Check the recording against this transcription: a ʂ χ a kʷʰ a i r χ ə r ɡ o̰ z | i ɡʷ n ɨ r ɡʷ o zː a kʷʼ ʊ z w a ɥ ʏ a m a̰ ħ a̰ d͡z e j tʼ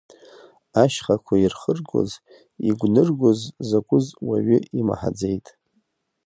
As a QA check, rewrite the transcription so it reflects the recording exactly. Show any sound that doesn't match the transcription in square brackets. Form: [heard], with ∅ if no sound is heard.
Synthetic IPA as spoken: a [ʃ] χ a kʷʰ a i r χ ə r ɡ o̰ z | i ɡʷ n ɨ r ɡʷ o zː a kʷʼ ʊ z w a ɥ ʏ [i] m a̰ ħ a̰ d͡z e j tʼ